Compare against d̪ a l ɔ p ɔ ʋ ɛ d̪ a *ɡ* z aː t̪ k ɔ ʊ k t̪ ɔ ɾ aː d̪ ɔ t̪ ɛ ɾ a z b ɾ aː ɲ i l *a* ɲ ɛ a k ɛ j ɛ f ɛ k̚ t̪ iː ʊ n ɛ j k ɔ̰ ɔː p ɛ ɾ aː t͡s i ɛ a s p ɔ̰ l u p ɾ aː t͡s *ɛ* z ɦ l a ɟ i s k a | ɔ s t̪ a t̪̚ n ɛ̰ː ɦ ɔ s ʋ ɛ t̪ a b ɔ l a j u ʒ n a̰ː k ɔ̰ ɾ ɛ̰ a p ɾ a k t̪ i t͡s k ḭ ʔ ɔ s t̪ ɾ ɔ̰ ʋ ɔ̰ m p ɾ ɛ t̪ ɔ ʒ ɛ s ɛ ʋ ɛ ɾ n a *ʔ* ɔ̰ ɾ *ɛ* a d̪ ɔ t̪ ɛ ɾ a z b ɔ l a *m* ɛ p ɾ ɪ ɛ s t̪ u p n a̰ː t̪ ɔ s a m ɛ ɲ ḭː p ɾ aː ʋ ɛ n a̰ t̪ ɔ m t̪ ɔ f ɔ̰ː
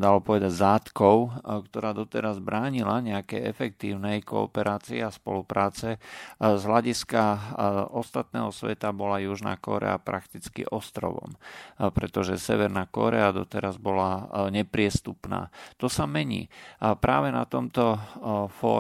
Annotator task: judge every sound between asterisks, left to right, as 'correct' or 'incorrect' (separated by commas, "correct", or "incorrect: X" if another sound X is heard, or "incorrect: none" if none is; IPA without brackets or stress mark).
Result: incorrect: ɟ, correct, correct, incorrect: k, correct, incorrect: ɲ